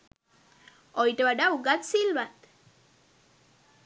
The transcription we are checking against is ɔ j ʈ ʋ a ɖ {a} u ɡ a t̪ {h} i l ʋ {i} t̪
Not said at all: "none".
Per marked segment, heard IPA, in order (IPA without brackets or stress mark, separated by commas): a, s, a